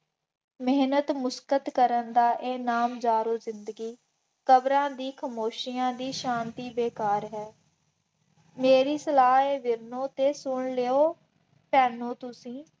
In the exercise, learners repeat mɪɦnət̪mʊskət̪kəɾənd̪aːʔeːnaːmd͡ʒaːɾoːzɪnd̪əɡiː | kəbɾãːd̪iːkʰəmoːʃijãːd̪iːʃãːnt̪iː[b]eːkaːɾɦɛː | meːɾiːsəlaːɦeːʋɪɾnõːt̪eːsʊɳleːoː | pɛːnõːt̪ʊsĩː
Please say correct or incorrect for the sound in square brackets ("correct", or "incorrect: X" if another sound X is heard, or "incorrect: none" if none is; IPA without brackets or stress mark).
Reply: correct